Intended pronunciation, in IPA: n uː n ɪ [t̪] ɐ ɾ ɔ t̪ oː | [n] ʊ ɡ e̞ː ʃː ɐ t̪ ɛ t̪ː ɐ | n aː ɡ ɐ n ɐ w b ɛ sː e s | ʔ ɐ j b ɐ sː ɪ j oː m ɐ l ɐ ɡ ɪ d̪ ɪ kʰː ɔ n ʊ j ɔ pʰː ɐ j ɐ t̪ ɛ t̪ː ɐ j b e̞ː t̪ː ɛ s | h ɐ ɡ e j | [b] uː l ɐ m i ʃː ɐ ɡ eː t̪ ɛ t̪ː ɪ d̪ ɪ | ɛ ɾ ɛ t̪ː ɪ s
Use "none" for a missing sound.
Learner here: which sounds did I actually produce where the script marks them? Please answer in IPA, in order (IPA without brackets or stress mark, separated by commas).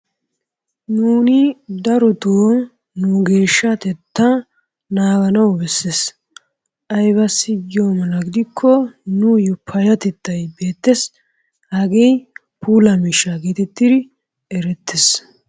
d̪, n, p